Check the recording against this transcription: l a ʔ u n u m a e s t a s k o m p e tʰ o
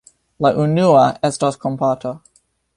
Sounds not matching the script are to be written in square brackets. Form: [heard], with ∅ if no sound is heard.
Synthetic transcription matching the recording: l a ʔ u n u [∅] a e s t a s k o m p [a] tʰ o